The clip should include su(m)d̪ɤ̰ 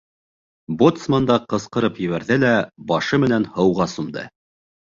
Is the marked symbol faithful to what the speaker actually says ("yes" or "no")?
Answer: yes